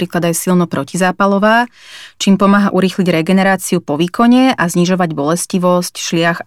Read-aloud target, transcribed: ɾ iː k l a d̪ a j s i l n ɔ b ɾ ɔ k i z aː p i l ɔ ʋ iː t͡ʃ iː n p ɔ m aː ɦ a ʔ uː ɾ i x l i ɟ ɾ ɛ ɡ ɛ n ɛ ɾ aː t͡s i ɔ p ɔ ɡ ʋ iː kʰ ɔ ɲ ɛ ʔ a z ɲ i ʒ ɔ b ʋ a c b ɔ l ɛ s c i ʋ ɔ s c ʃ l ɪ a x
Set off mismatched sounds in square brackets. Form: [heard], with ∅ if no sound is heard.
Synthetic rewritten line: ɾ iː k l a d̪ a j s i l n ɔ [p] ɾ ɔ [c] i z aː p [a] l ɔ ʋ [aː] t͡ʃ iː [m] p ɔ m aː ɦ a ʔ [u] ɾ i x l i ɟ ɾ ɛ ɡ ɛ n ɛ ɾ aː t͡s i [u] p ɔ [∅] ʋ iː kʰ ɔ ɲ ɛ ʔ a z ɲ i ʒ ɔ [∅] ʋ a [ɟ] b ɔ l ɛ s c i ʋ ɔ s c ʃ l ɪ a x